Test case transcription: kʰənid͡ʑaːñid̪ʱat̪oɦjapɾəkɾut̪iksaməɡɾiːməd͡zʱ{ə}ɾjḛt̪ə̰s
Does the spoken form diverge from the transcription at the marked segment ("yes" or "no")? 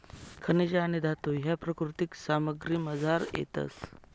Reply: yes